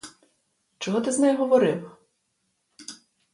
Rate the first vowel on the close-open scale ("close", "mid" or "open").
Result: mid